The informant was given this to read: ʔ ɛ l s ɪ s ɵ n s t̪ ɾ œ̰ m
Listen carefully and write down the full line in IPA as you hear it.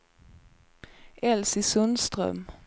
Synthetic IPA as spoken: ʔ ɛ l s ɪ s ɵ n s t̪ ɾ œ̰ m